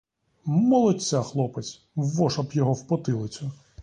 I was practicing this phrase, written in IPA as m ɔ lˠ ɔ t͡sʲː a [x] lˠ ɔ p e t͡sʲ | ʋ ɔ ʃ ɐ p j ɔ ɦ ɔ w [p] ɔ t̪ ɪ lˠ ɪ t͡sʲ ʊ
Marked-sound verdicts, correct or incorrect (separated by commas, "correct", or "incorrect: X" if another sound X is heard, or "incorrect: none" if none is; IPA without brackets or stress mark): correct, correct